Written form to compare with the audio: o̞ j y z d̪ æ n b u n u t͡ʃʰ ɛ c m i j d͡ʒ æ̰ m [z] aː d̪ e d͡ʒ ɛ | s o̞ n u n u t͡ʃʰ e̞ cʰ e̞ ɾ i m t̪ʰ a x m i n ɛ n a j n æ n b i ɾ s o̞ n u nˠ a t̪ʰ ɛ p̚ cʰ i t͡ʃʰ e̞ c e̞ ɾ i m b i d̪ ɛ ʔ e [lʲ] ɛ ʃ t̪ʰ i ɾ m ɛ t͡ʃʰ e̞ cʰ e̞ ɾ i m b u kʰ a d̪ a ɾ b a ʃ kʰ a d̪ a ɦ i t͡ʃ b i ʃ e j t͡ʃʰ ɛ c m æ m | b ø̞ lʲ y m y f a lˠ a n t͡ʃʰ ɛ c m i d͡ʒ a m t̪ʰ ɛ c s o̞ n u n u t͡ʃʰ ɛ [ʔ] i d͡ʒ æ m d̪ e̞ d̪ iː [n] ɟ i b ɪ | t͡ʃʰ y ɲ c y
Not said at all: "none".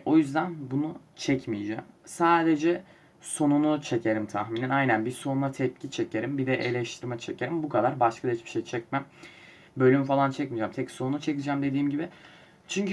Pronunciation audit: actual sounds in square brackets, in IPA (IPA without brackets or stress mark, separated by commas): s, lʲ, c, m